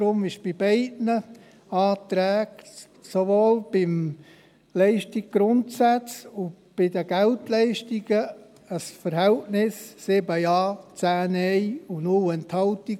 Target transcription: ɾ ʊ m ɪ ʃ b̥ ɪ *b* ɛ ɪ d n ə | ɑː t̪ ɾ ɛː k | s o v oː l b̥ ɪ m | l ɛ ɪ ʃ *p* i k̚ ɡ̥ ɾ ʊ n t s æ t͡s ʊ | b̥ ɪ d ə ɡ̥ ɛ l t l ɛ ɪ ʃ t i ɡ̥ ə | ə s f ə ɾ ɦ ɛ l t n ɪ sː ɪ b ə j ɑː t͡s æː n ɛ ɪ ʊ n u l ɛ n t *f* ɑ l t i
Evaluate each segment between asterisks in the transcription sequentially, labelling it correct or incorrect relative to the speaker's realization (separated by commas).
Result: correct, incorrect, incorrect